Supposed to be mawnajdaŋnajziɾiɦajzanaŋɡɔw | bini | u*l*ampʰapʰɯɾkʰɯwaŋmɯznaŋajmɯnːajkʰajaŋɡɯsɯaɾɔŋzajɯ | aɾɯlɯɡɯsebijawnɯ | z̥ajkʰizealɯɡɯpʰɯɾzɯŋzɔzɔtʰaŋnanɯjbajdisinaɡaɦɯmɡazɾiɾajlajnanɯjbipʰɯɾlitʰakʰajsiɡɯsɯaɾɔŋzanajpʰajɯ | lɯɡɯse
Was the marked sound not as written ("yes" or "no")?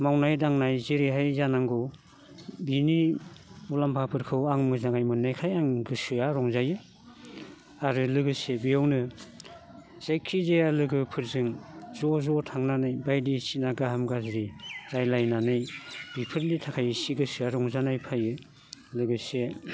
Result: no